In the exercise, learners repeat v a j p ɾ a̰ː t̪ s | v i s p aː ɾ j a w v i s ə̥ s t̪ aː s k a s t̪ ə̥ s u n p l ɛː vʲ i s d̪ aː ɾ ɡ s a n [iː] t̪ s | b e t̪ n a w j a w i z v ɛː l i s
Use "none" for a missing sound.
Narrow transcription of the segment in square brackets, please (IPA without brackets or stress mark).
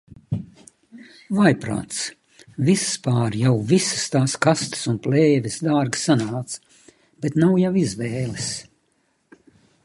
aː